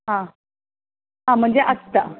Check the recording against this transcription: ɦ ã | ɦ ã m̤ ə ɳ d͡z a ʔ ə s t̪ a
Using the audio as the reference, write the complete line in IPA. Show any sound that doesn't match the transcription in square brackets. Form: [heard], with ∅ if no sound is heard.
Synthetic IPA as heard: ɦ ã | ɦ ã m̤ ə ɳ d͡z [e] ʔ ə s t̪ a